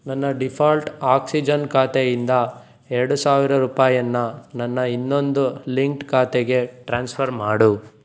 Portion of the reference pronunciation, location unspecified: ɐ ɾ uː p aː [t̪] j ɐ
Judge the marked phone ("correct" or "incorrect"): incorrect